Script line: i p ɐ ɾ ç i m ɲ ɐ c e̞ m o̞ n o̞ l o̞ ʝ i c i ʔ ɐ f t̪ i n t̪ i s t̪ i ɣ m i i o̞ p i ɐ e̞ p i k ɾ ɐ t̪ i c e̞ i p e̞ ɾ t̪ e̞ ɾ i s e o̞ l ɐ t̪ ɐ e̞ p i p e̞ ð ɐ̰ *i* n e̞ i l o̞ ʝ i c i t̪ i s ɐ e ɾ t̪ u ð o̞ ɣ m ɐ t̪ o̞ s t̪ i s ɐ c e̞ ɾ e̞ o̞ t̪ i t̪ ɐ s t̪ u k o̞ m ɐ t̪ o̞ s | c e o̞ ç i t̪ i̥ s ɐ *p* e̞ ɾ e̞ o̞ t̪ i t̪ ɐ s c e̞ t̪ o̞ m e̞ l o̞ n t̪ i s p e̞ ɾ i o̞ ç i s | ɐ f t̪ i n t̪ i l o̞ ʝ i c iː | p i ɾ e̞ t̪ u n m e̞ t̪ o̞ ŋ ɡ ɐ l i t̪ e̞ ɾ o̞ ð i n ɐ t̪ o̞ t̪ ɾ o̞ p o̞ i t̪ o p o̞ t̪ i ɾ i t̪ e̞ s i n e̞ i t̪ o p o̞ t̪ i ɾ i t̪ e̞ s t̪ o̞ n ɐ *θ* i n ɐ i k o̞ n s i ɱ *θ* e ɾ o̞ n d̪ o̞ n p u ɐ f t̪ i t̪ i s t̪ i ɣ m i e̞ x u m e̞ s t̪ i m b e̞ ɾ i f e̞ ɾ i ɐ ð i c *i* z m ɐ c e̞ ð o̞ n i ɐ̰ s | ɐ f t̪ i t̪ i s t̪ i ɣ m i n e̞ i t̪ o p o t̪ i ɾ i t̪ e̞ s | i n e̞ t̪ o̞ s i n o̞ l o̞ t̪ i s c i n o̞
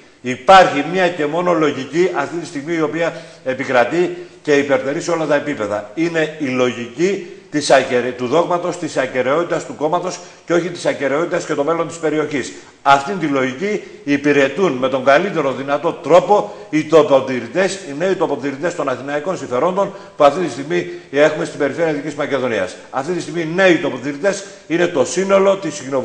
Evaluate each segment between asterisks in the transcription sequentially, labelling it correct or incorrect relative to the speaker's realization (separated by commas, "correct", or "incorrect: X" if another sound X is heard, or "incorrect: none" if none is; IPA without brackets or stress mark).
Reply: correct, incorrect: c, correct, incorrect: f, correct